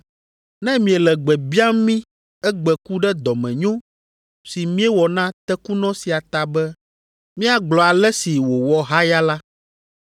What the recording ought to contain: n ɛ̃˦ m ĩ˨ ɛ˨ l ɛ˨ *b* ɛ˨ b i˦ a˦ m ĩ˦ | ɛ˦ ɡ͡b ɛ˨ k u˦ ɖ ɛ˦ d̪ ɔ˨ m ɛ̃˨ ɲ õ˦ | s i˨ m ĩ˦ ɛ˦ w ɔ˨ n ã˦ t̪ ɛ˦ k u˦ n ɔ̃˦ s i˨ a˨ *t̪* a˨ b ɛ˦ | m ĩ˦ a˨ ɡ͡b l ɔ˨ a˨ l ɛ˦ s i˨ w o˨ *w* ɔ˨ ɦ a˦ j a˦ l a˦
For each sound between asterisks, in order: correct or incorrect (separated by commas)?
incorrect, correct, correct